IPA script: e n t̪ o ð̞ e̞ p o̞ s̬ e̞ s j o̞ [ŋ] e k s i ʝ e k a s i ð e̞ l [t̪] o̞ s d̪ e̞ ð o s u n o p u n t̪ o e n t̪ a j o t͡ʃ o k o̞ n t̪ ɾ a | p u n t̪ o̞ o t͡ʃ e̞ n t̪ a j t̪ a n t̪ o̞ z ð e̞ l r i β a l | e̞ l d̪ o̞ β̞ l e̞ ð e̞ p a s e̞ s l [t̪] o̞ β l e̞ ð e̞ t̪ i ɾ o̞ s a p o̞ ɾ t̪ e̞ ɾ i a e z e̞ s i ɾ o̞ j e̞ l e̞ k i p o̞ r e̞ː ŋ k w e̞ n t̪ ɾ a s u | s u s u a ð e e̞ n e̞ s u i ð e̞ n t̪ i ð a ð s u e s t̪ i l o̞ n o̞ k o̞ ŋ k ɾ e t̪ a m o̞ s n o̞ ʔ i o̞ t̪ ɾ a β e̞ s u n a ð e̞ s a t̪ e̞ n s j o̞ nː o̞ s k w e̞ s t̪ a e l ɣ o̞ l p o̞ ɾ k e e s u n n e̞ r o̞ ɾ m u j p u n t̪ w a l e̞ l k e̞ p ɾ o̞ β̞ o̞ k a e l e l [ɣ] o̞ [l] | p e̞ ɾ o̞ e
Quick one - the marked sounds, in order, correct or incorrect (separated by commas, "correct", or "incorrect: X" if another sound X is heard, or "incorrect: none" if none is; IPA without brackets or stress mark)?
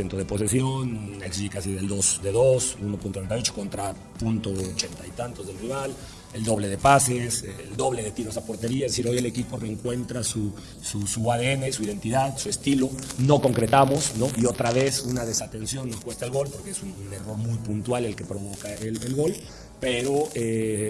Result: incorrect: n, incorrect: d̪, incorrect: d̪, correct, correct